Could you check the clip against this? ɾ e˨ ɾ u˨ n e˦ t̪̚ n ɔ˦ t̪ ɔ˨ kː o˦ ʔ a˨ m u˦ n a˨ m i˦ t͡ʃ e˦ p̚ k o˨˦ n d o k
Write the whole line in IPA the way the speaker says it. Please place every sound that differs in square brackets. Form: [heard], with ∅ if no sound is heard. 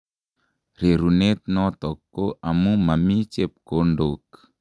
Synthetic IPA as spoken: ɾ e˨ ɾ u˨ n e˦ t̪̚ n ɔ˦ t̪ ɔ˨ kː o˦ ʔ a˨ m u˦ [m] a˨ m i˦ t͡ʃ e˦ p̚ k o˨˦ n d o k

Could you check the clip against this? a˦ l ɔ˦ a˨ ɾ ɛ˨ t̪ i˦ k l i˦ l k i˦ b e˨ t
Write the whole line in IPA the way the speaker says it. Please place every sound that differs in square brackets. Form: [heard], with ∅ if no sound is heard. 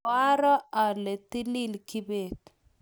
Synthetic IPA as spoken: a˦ [ɾ] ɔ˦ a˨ [l] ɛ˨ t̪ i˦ [∅] l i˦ l k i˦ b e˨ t

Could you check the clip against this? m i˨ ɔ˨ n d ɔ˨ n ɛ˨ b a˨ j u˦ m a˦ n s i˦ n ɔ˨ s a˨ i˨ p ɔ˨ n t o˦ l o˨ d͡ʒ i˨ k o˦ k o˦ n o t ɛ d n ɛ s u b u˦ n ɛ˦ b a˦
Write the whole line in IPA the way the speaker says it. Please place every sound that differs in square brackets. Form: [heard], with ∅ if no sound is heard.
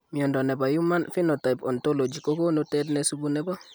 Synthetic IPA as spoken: m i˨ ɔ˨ n d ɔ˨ n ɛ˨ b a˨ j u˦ m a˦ n [f] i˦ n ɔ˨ [t] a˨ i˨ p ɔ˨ n t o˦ l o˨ d͡ʒ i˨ k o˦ k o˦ n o t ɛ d n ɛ s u b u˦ n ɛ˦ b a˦

